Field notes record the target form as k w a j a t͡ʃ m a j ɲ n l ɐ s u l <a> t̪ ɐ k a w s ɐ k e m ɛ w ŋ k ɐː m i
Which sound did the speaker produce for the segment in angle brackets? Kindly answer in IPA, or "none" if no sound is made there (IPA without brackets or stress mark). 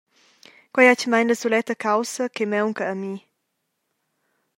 ɛ